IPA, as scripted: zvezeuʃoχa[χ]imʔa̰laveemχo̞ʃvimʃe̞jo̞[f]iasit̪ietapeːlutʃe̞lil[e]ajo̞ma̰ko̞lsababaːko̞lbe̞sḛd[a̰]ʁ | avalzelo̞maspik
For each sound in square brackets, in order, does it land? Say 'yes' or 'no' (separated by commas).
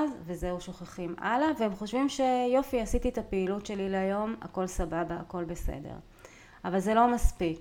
yes, yes, yes, no